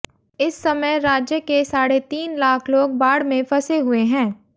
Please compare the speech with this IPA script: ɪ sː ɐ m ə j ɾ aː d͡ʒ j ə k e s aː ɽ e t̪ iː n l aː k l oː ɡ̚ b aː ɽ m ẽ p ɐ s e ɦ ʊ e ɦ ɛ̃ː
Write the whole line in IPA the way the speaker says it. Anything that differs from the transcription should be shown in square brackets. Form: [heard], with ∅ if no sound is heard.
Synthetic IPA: ɪ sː ɐ m ə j ɾ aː d͡ʒ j ə k e s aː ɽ e t̪ iː n l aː [kʰ] l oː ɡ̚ b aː ɽ m ẽ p ɐ s e ɦ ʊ e ɦ ɛ̃ː